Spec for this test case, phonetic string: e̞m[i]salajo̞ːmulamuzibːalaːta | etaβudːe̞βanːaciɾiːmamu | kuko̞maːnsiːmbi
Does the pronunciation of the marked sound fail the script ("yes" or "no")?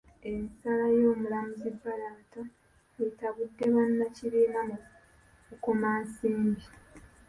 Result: no